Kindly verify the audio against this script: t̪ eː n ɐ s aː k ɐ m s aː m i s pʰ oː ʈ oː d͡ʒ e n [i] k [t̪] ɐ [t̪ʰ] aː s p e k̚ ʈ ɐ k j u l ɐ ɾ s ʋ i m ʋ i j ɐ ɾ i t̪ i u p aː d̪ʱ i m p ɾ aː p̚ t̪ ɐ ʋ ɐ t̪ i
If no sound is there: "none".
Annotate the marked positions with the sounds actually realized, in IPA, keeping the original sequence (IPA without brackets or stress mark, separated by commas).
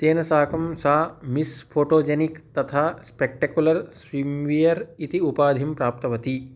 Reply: i, t̪, t̪ʰ